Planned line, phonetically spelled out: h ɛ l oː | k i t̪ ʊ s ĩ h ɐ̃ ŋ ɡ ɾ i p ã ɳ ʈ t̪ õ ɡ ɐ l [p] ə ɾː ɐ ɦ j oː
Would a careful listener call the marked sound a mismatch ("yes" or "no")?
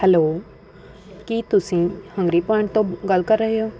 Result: yes